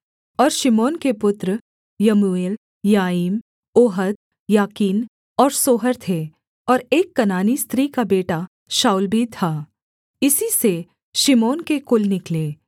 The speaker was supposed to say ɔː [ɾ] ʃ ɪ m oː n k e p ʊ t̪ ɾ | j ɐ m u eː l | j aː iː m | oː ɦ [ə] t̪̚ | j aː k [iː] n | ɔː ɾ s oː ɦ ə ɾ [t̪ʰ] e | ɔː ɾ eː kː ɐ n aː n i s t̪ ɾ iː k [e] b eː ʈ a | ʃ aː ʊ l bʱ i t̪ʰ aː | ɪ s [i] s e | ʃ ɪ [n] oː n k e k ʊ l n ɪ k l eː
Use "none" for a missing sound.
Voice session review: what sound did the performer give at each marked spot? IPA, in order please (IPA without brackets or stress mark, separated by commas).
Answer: ɾ, ə, iː, t̪ʰ, a, i, m